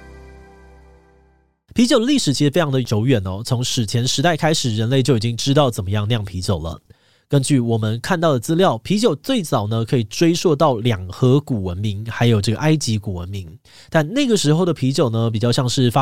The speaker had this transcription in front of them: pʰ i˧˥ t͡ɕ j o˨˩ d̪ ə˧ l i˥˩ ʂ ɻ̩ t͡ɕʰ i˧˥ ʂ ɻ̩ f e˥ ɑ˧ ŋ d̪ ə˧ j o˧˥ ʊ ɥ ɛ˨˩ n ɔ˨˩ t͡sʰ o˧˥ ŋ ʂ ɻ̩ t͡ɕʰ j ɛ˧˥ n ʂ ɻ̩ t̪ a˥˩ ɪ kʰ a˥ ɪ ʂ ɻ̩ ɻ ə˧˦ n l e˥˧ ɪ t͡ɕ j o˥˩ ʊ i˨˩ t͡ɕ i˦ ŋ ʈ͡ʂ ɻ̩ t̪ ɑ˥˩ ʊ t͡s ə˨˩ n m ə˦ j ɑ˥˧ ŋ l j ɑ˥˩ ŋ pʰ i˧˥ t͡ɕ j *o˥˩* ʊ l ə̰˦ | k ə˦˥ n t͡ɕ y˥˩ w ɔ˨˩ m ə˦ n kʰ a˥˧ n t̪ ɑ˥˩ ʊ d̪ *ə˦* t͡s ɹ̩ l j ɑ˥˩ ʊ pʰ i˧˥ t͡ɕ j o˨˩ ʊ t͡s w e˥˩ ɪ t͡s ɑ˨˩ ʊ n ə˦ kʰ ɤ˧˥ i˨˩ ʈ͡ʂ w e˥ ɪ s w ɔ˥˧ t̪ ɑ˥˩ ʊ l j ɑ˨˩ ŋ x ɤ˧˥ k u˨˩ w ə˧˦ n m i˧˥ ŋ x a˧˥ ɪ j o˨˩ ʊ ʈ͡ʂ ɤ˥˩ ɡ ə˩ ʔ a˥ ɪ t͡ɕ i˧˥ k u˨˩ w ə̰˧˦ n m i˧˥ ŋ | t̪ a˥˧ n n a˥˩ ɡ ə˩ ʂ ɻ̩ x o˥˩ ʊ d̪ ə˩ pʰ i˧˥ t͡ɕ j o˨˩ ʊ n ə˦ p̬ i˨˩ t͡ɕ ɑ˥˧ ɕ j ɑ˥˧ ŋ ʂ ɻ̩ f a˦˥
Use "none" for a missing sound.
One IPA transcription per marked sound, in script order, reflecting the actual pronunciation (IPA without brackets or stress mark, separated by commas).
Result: o˨˩, ə˩